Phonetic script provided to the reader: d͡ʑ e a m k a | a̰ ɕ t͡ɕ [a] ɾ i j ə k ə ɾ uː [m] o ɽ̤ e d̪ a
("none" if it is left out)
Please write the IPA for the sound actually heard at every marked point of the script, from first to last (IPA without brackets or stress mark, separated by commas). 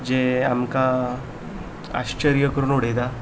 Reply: ə, n